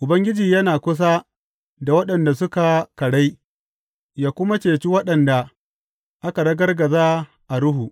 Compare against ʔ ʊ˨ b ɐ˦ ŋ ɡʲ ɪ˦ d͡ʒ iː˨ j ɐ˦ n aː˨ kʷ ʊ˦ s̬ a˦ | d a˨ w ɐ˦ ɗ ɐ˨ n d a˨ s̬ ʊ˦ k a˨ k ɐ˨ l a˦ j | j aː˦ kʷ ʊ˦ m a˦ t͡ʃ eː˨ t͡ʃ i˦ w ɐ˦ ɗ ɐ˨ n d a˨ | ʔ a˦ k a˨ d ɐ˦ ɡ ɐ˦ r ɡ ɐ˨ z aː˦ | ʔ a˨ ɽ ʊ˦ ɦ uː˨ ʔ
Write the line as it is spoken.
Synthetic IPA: ʔ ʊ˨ b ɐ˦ ŋ ɡʲ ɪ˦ d͡ʒ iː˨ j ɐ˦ n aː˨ kʷ ʊ˦ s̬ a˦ | d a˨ w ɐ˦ ɗ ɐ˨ n d a˨ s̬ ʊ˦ k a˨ k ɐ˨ ɽ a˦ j | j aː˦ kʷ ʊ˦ m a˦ t͡ʃ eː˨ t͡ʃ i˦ w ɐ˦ ɗ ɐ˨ n d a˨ | ʔ a˦ k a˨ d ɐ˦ ɡ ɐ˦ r ɡ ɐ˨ z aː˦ | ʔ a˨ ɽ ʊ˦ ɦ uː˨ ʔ

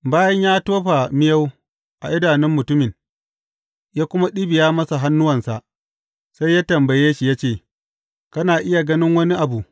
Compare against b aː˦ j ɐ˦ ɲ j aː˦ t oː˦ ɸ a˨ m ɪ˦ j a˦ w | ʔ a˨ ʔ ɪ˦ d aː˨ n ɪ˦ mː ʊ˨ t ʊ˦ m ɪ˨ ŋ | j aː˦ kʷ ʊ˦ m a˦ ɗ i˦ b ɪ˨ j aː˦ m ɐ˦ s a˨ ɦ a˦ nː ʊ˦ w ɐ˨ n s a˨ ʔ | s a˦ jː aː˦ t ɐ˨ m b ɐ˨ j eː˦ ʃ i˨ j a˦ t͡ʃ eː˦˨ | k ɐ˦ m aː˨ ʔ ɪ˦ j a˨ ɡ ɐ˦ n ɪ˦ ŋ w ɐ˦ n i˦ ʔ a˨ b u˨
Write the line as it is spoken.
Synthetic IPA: b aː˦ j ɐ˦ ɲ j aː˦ t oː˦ ɸ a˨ m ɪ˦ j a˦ w | ʔ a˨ ʔ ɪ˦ d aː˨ n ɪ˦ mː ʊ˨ t ʊ˦ m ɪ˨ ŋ | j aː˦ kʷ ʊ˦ m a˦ ɗ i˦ b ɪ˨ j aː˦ m ɐ˦ s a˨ ɦ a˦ nː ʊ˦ w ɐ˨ n s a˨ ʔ | s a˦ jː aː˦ t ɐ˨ m b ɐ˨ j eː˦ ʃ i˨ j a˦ t͡ʃ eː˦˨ | k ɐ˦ n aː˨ ʔ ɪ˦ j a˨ ɡ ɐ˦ n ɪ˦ ŋ w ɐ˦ n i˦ ʔ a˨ b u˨

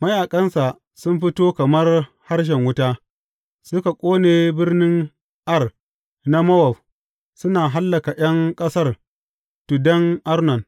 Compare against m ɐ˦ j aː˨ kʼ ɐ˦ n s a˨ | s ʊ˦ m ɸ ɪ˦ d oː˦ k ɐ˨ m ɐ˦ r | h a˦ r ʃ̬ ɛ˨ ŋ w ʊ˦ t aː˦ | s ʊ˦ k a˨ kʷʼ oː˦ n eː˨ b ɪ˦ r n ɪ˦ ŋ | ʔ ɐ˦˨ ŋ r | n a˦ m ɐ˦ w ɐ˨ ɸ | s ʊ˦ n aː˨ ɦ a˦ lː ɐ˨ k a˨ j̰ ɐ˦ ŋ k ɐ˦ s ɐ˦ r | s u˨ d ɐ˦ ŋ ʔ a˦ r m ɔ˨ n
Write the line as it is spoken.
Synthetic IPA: m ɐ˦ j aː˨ kʼ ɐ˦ n s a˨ | s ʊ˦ m ɸ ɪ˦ t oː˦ k ɐ˨ m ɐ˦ r | h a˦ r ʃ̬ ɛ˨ ŋ w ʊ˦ t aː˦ | s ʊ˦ k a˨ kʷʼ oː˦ n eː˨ b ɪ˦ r n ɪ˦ ŋ | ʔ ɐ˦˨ r | n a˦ m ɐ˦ w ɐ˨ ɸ | s ʊ˦ n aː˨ ɦ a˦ lː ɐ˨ k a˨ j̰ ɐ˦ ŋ kʼ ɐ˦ s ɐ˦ r | t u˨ d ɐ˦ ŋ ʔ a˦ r n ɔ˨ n

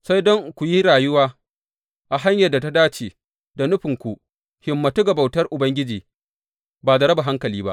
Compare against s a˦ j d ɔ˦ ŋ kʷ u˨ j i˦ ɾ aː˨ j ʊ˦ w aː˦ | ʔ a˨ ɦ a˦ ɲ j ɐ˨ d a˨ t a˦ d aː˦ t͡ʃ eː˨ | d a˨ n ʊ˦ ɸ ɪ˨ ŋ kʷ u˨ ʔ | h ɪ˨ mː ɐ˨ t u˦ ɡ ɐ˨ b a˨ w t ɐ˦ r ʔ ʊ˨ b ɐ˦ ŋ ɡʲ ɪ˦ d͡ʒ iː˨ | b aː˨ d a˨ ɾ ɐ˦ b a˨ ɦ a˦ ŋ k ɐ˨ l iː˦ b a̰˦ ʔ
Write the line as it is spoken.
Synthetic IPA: s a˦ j d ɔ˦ ŋ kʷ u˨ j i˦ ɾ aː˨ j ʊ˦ w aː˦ | ʔ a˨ ɦ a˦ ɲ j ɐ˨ d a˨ t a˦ d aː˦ t͡ʃ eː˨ | d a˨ n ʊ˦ ɸ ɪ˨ ŋ kʷ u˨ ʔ | h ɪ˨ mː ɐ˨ t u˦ ɡ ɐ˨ b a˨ w t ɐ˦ r ʔ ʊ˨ b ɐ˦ ŋ ɡʲ ɪ˦ d͡ʒ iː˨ | b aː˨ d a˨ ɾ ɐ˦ b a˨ ɦ a˦ ŋ k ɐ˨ l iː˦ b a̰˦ ʔ

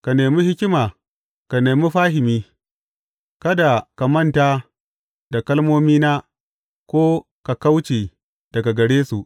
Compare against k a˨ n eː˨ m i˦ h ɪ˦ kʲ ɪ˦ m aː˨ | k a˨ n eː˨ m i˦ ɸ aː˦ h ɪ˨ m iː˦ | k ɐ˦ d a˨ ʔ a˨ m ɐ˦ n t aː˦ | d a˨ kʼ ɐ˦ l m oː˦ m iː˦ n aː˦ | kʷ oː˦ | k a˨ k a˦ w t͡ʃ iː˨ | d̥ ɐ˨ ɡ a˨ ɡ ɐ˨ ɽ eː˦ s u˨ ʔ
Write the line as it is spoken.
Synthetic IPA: k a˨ n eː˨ m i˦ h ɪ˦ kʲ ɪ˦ m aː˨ | k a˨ n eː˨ m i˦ ɸ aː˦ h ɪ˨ m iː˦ | k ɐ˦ d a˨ k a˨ m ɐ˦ n t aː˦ | d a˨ k ɐ˦ l m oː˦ m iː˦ n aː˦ | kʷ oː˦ | k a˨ k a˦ w t͡ʃ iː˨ | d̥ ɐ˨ ɡ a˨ ɡ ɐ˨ ɽ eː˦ s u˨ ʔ

